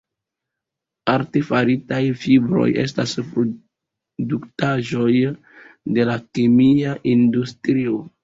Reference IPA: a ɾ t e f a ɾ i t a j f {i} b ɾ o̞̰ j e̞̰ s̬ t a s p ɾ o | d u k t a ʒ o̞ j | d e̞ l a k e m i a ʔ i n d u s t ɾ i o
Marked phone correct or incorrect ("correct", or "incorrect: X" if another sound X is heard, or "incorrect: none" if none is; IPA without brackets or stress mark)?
correct